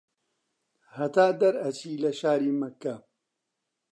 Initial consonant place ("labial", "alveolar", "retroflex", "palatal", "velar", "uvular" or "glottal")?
glottal